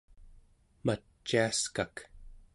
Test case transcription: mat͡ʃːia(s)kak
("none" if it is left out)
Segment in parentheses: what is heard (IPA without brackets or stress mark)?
s